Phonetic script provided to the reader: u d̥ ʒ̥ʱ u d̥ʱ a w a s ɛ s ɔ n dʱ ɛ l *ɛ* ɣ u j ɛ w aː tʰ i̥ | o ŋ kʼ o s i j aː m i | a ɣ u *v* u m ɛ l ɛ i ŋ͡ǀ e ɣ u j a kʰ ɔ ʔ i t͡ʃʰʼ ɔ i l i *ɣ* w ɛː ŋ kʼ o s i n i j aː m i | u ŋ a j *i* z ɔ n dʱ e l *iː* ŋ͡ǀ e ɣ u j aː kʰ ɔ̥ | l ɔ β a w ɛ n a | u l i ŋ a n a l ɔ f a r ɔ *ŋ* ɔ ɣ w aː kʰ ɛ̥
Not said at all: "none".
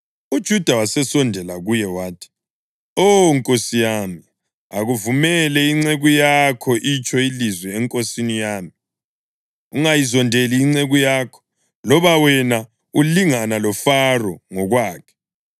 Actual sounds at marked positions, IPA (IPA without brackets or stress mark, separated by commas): a, v, z, i, iː, ŋ